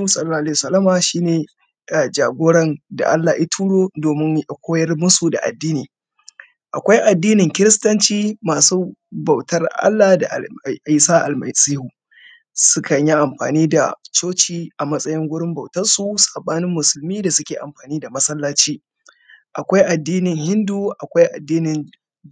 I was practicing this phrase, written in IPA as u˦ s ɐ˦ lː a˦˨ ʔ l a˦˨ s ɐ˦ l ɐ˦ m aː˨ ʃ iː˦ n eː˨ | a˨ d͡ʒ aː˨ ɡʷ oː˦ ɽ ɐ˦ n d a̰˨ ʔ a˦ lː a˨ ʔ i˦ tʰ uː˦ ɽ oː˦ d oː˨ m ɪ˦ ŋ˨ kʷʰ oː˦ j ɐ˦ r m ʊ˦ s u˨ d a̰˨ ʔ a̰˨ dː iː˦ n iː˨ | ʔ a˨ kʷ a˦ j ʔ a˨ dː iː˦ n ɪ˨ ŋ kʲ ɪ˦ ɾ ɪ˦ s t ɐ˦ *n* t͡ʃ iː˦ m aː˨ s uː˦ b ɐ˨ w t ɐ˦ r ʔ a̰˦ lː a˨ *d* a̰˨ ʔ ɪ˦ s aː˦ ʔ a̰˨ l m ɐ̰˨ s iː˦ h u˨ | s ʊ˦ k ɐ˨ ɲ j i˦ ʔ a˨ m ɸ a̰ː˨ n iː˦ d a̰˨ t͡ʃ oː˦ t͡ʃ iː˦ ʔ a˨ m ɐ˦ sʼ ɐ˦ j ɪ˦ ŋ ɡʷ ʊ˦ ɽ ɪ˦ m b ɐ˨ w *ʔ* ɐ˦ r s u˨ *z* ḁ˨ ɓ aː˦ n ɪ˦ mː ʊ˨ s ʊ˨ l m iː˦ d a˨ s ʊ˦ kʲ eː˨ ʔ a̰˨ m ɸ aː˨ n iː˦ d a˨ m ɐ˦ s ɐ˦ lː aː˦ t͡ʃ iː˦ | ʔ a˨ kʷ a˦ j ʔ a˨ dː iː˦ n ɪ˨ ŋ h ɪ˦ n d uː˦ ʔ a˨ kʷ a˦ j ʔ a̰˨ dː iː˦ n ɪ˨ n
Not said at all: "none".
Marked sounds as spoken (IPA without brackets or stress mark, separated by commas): n, d, t, s